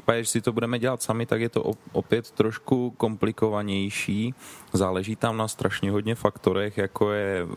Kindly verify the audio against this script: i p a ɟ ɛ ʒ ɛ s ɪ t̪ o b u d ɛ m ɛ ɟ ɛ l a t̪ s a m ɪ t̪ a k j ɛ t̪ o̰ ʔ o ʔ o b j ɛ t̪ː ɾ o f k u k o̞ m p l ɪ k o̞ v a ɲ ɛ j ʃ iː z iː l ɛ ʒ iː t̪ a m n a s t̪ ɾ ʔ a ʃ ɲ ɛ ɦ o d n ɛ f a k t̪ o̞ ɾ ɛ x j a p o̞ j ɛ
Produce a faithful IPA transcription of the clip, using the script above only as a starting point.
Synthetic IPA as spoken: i p a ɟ ɛ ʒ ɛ s ɪ t̪ o b u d ɛ m ɛ ɟ ɛ l a t̪ s a m ɪ t̪ a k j ɛ t̪ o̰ ʔ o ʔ o p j ɛ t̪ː ɾ o ʃ k u k o̞ m p l ɪ k o̞ v a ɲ ɛ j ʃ iː z aː l ɛ ʒ iː t̪ a m n a s t̪ ɾ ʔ a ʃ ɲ ɛ ɦ o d ɲ ɛ f a k t̪ o̞ ɾ ɛ x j a k o̞ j ɛ